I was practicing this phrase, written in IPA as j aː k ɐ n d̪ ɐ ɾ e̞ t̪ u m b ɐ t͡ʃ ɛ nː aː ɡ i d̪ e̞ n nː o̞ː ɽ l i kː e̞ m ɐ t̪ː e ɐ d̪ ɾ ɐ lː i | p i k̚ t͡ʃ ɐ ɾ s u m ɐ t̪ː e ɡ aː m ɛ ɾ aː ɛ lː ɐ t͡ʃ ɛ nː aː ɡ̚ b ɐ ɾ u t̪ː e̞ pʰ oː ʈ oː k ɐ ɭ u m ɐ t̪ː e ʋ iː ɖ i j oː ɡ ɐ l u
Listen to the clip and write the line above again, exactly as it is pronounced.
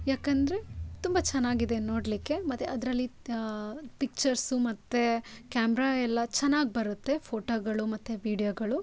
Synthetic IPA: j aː k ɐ n d̪ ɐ ɾ e̞ t̪ u m b ɐ t͡ʃ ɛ nː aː ɡ i d̪ e̞ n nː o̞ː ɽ l i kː e̞ m ɐ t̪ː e ɐ d̪ ɾ ɐ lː i | p i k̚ t͡ʃ ɐ ɾ s u m ɐ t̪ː e k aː m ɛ ɾ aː ɛ lː ɐ t͡ʃ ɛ nː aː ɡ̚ b ɐ ɾ u t̪ː e̞ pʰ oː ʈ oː ɡ ɐ ɭ u m ɐ t̪ː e ʋ iː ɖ i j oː ɡ ɐ ɭ u